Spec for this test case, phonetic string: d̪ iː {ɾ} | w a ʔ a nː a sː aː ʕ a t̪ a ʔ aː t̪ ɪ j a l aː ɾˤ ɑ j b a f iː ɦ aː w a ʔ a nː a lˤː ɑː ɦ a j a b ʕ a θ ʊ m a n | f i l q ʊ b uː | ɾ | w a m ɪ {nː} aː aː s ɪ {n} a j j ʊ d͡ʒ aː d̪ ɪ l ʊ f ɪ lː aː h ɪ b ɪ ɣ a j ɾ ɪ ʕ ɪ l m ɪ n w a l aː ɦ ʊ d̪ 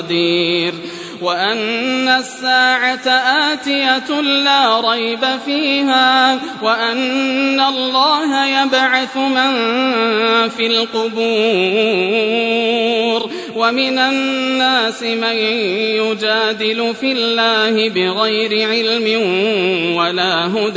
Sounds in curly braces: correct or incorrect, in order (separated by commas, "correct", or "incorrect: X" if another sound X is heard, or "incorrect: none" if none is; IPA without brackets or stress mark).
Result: correct, incorrect: n, incorrect: m